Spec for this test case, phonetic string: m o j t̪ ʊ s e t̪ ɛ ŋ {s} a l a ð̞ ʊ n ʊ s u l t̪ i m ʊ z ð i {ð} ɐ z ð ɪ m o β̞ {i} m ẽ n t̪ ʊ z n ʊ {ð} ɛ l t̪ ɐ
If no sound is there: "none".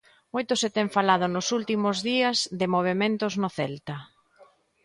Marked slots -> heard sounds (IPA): f, none, e, θ

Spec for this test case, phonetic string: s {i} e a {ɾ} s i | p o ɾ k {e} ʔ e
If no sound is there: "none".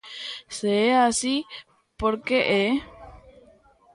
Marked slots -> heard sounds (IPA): e, none, e

